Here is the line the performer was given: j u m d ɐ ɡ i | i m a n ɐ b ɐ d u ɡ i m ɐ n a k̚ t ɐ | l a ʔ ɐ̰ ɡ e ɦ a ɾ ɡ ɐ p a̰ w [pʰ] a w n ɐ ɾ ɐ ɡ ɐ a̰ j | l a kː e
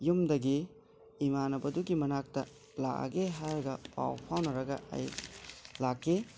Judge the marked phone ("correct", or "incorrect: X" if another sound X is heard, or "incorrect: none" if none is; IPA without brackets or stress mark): correct